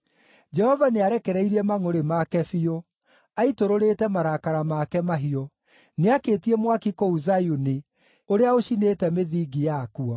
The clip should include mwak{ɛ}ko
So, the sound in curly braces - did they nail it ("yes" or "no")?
no